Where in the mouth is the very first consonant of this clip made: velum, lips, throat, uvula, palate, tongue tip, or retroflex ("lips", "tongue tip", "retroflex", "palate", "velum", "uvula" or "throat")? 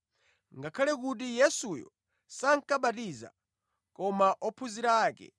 velum